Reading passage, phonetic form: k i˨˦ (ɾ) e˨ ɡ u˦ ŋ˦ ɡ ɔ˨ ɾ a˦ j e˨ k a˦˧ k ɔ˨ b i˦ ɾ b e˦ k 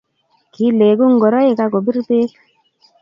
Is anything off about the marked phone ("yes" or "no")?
yes